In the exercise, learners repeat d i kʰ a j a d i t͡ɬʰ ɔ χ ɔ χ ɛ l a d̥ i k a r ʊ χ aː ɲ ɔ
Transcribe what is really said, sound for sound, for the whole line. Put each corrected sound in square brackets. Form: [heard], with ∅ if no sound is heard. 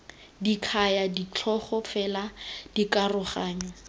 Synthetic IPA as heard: d i kʰ a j a d i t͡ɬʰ ɔ χ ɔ [f] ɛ l a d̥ i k a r ʊ χ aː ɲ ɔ